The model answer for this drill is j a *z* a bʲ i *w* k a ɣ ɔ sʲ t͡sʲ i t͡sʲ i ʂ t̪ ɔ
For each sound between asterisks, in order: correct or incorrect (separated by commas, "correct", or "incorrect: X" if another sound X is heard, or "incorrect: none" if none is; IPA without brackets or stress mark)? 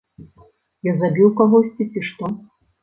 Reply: correct, correct